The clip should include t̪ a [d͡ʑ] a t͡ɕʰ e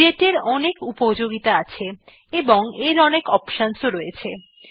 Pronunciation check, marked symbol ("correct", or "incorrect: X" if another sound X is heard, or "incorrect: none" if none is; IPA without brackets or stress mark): incorrect: none